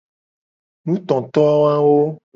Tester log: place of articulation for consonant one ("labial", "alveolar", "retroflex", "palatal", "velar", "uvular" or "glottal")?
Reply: alveolar